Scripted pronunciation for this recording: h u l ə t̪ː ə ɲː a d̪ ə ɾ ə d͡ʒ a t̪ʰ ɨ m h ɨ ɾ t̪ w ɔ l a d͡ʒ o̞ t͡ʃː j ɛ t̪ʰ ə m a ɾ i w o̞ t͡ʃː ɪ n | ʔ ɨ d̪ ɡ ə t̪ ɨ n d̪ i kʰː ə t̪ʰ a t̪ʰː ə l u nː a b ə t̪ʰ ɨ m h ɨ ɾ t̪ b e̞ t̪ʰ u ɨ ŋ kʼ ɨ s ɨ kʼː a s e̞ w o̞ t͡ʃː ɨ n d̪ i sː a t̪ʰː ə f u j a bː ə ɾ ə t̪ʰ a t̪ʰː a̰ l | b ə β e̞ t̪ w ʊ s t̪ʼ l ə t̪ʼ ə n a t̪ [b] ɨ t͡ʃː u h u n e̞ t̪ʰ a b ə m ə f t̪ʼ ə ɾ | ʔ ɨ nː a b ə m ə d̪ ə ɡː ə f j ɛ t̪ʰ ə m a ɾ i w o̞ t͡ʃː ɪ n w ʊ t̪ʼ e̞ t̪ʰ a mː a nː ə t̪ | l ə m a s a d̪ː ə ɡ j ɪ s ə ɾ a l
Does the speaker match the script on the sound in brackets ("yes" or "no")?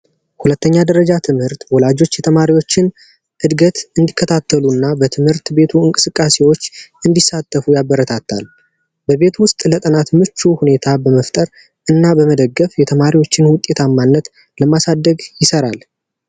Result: no